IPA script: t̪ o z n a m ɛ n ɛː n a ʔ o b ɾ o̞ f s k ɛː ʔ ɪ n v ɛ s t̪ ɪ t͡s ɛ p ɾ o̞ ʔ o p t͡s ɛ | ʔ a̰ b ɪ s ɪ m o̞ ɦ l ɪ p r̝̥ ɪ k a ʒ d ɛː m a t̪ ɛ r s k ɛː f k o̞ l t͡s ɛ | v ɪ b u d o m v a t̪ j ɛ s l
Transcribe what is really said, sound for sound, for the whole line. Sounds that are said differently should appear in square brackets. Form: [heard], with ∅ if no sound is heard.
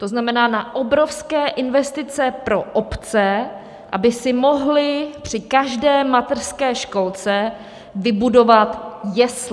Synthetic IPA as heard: t̪ o z n a m ɛ n [aː] n a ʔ o b ɾ o̞ f s k ɛː ʔ ɪ n v ɛ s t̪ ɪ t͡s ɛ p ɾ o̞ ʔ o p t͡s ɛ | ʔ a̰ b ɪ s ɪ m o̞ ɦ l ɪ p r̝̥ ɪ k a ʒ d ɛː m a t̪ ɛ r s k ɛː [ʃ] k o̞ l t͡s ɛ | v ɪ b u d o [∅] v a t̪ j ɛ s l